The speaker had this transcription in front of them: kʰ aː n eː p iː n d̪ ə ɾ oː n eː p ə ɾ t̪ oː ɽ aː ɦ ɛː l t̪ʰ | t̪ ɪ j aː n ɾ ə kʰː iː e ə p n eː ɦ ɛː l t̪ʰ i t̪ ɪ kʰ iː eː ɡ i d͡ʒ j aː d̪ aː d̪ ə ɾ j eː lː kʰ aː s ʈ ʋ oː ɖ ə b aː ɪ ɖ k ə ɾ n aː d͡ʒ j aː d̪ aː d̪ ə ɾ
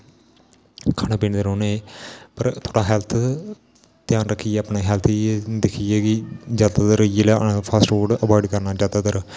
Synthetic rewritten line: kʰ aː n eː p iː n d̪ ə ɾ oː n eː p ə ɾ t̪ʰ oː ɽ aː ɦ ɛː l t̪ʰ | t̪ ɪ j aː n ɾ ə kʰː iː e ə p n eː ɦ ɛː l t̪ʰ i d̪ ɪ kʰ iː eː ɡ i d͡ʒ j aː d̪ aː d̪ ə ɾ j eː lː pʰ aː s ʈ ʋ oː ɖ ə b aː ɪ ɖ k ə ɾ n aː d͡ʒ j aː d̪ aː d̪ ə ɾ

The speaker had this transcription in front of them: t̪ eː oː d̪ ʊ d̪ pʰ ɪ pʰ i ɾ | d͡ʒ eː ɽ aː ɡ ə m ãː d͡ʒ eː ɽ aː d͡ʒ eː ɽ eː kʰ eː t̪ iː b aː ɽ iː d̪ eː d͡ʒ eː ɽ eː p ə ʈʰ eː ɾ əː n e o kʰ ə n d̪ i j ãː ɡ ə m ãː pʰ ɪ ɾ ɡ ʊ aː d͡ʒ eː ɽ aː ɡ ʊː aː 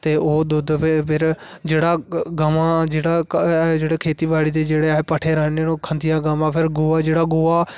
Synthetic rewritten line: t̪ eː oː d̪ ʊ d̪ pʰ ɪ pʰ ɪ ɾ | d͡ʒ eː ɽ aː ɡ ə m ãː d͡ʒ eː ɽ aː d͡ʒ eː ɽ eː kʰ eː t̪ iː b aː ɽ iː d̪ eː d͡ʒ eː ɽ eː p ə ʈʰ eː ɾ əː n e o kʰ ə n d̪ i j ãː ɡ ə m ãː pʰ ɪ ɾ ɡ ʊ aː d͡ʒ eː ɽ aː ɡ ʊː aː

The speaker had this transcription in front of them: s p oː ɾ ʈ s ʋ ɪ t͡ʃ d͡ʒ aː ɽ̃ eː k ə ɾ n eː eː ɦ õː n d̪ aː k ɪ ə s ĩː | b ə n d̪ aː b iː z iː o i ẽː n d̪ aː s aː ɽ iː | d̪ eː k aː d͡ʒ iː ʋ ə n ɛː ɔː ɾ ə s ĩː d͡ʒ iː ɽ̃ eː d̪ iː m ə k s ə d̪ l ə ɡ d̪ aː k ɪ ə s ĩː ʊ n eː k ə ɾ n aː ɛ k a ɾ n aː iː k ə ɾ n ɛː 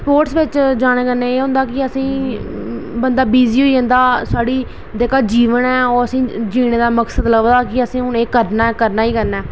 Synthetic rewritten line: s p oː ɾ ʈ s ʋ ɪ t͡ʃ d͡ʒ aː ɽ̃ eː k ə ɾ n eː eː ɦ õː n d̪ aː k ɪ ə s ĩː | b ə n d̪ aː b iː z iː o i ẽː n d̪ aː s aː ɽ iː | d̪ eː k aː d͡ʒ iː ʋ ə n ɛː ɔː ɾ ə s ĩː d͡ʒ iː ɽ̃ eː d̪ aː m ə k s ə d̪ l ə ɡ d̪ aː k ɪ ə s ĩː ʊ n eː k ə ɾ n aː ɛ k ə ɾ n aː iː k ə ɾ n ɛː

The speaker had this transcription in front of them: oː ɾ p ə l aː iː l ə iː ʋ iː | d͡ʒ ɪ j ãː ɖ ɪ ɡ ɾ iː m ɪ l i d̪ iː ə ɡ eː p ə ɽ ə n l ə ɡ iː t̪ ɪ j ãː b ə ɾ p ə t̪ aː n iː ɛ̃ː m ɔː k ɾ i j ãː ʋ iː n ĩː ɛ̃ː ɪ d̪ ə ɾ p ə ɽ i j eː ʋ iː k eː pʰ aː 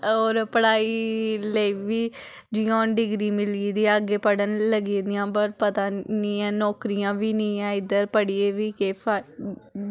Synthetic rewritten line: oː ɾ p ə ɽ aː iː l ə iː ʋ iː | d͡ʒ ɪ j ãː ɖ ɪ ɡ ɾ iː m ɪ l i d̪ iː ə ɡ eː p ə ɽ ə n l ə ɡ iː d̪ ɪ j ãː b ə ɾ p ə t̪ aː n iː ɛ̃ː n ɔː k ɾ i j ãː ʋ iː n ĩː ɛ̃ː ɪ d̪ ə ɾ p ə ɽ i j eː ʋ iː k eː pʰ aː

